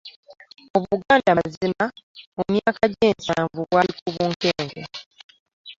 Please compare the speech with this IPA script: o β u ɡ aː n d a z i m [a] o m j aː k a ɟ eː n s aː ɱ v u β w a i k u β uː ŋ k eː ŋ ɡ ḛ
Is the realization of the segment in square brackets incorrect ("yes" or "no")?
no